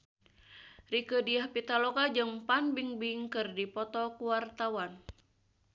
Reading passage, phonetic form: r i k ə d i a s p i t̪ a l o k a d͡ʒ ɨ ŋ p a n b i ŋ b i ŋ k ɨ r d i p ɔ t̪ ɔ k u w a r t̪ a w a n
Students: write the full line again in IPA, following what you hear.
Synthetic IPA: r i k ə d i a h p i t̪ a l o k a d͡ʒ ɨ ŋ p a n b i ŋ b i ŋ k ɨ r d i p ɔ t̪ ɔ k u w a r t̪ a w a n